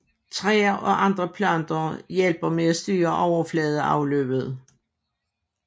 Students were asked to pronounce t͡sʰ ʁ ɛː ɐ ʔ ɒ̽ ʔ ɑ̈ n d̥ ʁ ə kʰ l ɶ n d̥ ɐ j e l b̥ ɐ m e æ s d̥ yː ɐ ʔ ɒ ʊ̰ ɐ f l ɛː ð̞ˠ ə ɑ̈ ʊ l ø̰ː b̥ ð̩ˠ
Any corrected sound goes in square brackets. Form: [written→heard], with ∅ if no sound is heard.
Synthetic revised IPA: t͡sʰ ʁ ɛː ɐ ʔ ɒ̽ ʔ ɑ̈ n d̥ ʁ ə [kʰ→pʰ] l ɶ n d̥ ɐ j e l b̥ ɐ m e æ s d̥ yː ɐ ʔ ɒ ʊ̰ ɐ f l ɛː ð̞ˠ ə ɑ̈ ʊ l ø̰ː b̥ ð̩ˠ